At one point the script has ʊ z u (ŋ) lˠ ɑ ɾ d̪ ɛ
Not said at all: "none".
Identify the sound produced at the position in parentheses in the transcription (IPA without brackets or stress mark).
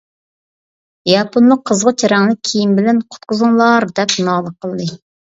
ŋ